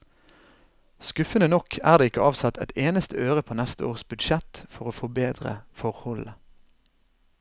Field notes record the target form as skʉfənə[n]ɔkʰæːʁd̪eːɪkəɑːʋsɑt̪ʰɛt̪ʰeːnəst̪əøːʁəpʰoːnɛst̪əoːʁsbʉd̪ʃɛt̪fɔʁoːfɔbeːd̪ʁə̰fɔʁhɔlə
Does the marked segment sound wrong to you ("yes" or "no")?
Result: no